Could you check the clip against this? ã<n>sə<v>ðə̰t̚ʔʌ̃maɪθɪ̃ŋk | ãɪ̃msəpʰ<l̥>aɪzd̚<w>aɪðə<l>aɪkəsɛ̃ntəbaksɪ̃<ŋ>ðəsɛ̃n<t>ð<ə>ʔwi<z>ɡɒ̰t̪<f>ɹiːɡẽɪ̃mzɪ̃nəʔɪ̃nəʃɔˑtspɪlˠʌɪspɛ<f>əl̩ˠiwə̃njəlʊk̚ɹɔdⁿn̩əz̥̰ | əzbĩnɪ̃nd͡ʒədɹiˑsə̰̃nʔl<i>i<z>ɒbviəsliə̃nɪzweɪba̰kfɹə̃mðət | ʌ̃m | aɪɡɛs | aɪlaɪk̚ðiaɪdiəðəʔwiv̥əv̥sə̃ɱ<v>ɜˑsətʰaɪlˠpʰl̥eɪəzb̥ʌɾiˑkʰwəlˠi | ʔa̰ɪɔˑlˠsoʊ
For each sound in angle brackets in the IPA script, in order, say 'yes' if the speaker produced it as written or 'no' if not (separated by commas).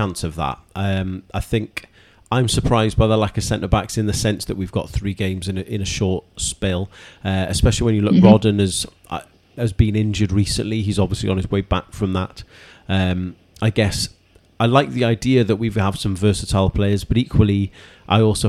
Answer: yes, yes, no, no, yes, no, no, yes, no, no, no, yes, yes, yes